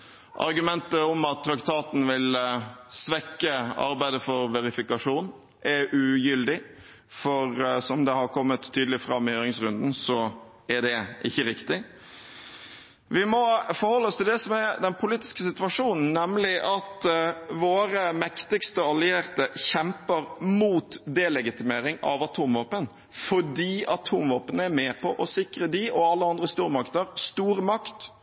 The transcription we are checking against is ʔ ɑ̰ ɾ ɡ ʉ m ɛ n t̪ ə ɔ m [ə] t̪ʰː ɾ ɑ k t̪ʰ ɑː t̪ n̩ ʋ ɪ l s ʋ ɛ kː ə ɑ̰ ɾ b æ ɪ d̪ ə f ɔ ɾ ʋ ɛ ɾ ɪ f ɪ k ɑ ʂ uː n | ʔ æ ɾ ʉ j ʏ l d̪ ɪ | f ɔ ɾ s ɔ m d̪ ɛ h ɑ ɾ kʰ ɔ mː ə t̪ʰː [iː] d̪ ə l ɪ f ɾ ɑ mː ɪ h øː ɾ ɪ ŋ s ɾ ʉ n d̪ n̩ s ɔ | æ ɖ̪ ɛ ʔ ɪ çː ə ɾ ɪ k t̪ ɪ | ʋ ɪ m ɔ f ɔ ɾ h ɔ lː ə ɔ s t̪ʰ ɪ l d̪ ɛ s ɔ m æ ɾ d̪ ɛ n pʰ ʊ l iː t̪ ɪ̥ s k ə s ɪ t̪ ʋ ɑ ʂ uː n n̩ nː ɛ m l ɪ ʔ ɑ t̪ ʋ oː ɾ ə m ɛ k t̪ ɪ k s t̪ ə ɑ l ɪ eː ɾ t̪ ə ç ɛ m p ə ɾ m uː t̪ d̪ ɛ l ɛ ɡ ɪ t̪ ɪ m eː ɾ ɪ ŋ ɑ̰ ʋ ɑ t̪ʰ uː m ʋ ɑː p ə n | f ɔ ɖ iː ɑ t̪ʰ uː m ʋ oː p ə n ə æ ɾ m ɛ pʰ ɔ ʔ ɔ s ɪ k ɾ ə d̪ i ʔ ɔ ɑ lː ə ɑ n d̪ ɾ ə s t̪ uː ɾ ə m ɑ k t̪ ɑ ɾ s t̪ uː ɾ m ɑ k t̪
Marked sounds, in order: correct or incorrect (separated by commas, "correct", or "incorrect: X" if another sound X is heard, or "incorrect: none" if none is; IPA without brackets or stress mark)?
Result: incorrect: ɑ, incorrect: yː